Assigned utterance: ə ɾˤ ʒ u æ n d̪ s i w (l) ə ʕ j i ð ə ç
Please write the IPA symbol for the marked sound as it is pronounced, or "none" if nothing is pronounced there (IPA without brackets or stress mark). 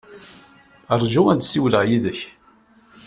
l